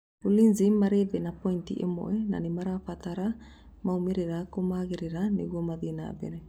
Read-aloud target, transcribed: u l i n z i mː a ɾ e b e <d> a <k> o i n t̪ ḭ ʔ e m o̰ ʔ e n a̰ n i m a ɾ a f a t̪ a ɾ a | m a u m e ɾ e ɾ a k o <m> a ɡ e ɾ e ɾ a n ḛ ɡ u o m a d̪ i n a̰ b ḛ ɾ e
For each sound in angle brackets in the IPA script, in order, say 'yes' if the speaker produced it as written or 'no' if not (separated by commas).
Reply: no, no, yes